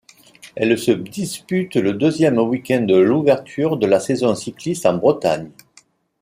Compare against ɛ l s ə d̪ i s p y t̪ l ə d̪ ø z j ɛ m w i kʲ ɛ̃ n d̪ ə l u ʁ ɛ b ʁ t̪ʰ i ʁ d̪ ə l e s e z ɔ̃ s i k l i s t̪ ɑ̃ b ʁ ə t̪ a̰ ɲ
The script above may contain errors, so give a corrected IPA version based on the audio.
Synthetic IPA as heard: ɛ l s ə d̪ i s p y t̪ l ə d̪ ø z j ɛ m w i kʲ ɛ̃ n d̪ ə l u v ɛ ʁ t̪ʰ y ʁ d̪ ə l a s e z ɔ̃ s i k l i s t̪ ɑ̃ b ʁ ə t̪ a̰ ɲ